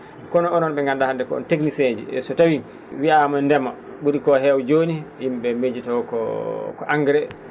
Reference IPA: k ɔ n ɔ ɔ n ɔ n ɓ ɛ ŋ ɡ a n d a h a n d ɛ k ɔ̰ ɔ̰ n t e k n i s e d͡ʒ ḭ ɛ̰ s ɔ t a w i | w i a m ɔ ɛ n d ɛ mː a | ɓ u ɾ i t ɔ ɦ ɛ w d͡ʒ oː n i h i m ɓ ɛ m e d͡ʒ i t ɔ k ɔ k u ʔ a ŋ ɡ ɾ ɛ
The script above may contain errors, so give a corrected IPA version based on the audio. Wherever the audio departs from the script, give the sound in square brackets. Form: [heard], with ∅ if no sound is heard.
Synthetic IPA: k ɔ n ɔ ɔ n ɔ n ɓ ɛ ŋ ɡ a n d a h a n d ɛ k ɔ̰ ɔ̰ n t e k n i s e d͡ʒ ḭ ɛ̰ s ɔ t a w i | w i a m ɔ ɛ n d ɛ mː a | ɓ u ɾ i [k] ɔ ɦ ɛ w d͡ʒ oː n i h i m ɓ ɛ m e d͡ʒ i t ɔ k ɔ k [ɔ] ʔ a ŋ ɡ ɾ ɛ

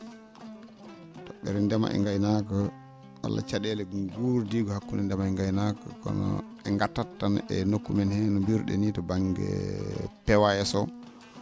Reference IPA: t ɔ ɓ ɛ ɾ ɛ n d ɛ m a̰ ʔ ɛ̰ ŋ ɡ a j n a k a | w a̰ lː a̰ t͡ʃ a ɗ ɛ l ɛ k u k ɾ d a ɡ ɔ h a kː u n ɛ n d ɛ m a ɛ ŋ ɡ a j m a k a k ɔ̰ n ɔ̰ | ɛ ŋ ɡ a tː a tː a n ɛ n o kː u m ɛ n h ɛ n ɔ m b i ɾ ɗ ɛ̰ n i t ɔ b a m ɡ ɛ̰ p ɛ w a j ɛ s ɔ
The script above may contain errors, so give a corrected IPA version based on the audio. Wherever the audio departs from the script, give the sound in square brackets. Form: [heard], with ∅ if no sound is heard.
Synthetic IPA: t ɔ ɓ ɛ ɾ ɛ n d ɛ m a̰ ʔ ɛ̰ ŋ ɡ a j n a k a | w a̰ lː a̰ t͡ʃ a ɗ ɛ l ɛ [ɡ] u [∅] ɾ d [i] ɡ ɔ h a kː u n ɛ n d ɛ m a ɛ ŋ ɡ a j [n] a k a k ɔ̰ n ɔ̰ | ɛ ŋ ɡ a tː a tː a n ɛ n o kː u m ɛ n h ɛ n ɔ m b i ɾ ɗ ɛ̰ n i t ɔ b a [ŋ] ɡ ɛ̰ p ɛ w a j ɛ s ɔ

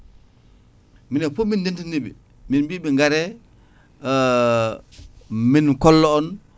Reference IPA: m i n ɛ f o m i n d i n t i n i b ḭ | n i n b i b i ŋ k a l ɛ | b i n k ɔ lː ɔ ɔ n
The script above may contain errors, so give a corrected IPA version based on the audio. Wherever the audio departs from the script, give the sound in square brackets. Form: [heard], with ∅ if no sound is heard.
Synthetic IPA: m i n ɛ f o m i n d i n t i n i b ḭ | [m] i n b i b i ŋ [ɡ] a [ɾ] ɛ | [m] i n k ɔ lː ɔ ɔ n

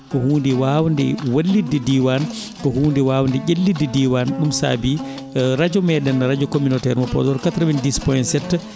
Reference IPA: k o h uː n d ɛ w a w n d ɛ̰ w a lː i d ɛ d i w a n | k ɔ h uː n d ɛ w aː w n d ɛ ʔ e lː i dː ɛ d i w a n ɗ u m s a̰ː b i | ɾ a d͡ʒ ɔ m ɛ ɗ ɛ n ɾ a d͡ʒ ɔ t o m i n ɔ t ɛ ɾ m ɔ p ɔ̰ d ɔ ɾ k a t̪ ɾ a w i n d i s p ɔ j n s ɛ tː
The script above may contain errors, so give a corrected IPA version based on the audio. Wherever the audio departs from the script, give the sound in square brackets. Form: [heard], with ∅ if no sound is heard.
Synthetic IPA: k [ɔ] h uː n d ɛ w a w n d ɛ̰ w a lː i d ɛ d i w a n | k ɔ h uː n d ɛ w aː w n d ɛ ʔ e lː i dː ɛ d i w a n ɗ u m s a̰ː b i | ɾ a d͡ʒ ɔ m ɛ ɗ ɛ n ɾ a d͡ʒ ɔ [k] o m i n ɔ t ɛ ɾ m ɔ p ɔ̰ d ɔ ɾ k a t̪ ɾ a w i n d i s p ɔ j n s ɛ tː

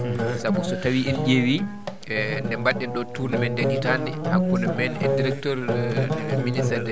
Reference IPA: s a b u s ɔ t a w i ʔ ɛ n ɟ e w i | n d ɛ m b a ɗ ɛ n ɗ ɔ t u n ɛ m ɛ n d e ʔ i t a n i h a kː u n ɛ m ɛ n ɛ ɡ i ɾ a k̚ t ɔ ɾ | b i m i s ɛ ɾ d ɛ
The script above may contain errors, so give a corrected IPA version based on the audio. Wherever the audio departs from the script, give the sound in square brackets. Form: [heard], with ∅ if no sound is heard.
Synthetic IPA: s a b u s ɔ t a w i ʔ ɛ n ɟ e w i | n d ɛ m b a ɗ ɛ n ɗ ɔ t u n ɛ m ɛ n d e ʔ i t a n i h a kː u n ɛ m ɛ n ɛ [d] i ɾ [ɛ] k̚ t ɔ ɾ | [m] i [n] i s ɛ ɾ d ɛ

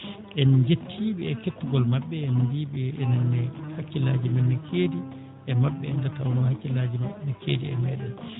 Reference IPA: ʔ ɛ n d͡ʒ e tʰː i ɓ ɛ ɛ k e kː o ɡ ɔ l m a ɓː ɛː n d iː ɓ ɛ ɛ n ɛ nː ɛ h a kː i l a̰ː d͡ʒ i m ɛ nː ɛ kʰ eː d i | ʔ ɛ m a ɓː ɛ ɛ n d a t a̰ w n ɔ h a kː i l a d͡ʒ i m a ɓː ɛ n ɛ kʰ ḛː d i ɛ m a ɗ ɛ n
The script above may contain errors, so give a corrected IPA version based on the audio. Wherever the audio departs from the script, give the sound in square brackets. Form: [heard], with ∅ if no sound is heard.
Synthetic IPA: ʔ ɛ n d͡ʒ e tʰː i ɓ ɛ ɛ k e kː [u] ɡ ɔ l m a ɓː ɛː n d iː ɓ ɛ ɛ n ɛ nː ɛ h a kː i l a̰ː d͡ʒ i m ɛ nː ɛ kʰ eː d i | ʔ ɛ m a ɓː ɛ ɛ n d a t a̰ w n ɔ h a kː i l a d͡ʒ i m a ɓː ɛ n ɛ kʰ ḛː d i ɛ m [ɛ] ɗ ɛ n

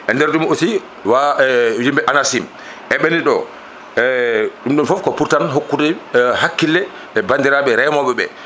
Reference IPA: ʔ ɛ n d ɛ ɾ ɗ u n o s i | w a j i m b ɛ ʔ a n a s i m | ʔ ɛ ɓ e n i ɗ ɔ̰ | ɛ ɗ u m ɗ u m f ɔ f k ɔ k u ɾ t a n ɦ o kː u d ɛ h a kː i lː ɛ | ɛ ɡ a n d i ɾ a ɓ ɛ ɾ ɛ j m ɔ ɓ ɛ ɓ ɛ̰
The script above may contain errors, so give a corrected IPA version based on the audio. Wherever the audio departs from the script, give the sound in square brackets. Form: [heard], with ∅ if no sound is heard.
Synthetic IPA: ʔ ɛ n d ɛ ɾ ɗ u [m] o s i | w a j i m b ɛ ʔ a n a s i m | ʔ ɛ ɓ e n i ɗ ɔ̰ | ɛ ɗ u m ɗ u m f ɔ f k ɔ [p] u ɾ t a n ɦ o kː u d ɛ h a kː i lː ɛ | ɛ [b] a n d i ɾ a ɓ ɛ ɾ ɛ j m ɔ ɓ ɛ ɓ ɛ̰

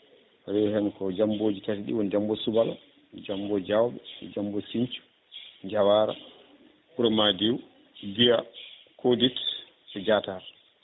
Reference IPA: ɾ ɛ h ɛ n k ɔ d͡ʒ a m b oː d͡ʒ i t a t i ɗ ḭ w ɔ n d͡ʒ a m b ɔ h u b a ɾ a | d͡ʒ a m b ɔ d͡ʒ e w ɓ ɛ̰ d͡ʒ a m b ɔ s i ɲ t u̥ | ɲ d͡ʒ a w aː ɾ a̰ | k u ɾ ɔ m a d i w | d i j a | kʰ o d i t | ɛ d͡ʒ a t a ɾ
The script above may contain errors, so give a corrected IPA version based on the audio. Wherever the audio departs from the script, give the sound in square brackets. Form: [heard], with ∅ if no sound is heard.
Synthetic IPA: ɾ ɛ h ɛ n k ɔ d͡ʒ a m b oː d͡ʒ i t a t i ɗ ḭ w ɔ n d͡ʒ a m b ɔ [s] u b a [l] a | d͡ʒ a m b ɔ d͡ʒ [a] w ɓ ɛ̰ d͡ʒ a m b ɔ s i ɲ [t͡ʃ] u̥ | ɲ d͡ʒ a w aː ɾ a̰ | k u ɾ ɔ m a d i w | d i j a | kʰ o d i t | ɛ d͡ʒ a t a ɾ

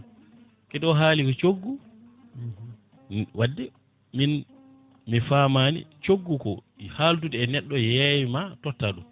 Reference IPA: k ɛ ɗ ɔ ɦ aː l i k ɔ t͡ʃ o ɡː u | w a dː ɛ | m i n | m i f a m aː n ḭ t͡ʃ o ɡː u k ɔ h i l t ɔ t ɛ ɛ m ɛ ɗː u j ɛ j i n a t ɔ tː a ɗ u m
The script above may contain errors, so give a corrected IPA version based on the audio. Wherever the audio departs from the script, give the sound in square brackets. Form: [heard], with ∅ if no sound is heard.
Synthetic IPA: k ɛ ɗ ɔ ɦ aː l i k ɔ t͡ʃ o ɡː u | w a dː ɛ | m i n | m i f a m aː n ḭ t͡ʃ o ɡː u k ɔ h [a] l t [u] t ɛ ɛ [n] ɛ ɗː [ɔ] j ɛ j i [m] a t ɔ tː a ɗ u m

